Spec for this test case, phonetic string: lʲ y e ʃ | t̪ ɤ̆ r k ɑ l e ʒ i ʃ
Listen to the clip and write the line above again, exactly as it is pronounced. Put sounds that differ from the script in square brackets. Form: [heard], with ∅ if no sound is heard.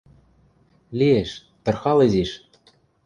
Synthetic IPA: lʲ [i] e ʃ | t̪ ɤ̆ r [x] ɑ l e [z] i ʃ